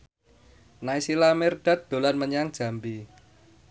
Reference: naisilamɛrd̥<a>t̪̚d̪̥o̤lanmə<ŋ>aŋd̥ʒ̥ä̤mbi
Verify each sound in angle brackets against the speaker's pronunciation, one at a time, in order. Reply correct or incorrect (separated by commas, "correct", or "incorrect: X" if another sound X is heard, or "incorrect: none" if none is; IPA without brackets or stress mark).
correct, incorrect: ɲ